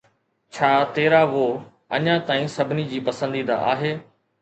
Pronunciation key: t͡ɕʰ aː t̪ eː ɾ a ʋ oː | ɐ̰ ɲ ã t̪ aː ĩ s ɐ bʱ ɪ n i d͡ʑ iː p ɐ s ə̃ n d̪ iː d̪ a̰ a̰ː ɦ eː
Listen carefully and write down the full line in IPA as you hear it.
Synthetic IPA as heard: t͡ɕʰ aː t̪ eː ɾ a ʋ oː | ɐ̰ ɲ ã t̪ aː ĩ s ɐ bʱ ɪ n i d͡ʑ iː p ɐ s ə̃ n d̪ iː d̪ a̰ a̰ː ɦ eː